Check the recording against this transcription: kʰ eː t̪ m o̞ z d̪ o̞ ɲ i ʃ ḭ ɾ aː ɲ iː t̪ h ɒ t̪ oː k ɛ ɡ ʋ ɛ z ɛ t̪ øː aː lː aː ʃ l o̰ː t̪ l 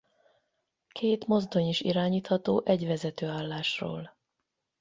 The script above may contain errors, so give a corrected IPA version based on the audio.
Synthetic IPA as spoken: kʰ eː t̪ m o̞ z d̪ o̞ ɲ i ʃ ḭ ɾ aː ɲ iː t̪ h ɒ t̪ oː ʔ ɛ ɟ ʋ ɛ z ɛ t̪ øː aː lː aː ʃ r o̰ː l